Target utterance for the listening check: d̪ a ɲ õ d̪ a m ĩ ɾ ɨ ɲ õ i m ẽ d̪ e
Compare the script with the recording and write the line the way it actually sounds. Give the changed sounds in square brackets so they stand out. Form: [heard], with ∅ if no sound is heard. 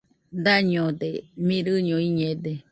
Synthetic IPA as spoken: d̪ a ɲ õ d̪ [e] m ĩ ɾ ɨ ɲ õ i [ɲ] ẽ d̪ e